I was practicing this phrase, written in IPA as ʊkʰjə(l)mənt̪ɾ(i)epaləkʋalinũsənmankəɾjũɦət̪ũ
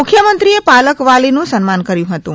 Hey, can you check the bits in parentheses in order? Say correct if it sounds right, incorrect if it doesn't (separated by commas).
incorrect, correct